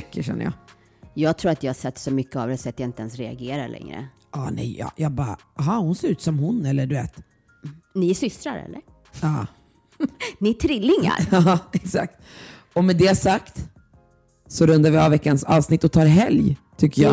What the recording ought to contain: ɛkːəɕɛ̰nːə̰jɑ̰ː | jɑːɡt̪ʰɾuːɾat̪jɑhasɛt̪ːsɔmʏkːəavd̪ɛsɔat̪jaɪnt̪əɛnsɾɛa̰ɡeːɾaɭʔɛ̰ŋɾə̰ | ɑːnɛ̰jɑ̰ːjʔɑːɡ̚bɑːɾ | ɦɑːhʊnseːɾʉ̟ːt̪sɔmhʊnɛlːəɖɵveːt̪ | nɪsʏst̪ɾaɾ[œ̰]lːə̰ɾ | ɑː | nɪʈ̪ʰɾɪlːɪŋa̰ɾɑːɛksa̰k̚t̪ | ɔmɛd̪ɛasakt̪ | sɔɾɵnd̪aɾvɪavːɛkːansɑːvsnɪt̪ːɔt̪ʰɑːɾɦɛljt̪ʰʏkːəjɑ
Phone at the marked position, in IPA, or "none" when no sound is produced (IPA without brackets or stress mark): ɛ̰